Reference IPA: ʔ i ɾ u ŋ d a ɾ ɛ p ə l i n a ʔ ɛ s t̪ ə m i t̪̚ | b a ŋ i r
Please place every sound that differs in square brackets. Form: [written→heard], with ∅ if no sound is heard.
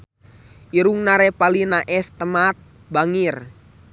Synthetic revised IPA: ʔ i ɾ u ŋ [d→n] a ɾ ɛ p [ə→a] l i n a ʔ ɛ s t̪ ə m [i→a] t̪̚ | b a ŋ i r